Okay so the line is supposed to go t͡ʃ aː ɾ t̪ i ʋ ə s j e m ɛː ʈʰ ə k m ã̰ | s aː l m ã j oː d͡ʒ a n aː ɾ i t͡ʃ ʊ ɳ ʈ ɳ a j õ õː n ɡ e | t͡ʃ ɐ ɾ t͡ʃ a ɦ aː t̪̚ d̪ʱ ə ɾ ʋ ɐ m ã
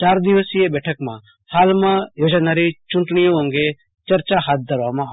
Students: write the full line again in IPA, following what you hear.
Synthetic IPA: t͡ʃ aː ɾ d̪ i ʋ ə s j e b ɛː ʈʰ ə k m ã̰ | h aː l m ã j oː d͡ʒ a n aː ɾ i t͡ʃ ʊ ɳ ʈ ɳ i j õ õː ŋ ɡ e | t͡ʃ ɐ ɾ t͡ʃ a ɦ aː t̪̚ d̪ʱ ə ɾ ʋ a m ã